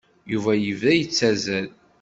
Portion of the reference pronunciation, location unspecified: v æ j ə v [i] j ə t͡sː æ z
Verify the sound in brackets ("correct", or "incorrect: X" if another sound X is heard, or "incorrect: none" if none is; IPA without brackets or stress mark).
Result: incorrect: æ